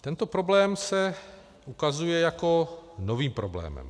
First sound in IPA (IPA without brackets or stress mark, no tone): t̪